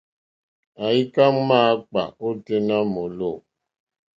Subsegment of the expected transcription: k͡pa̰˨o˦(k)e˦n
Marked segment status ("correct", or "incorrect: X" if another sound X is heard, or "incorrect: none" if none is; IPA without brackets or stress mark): incorrect: t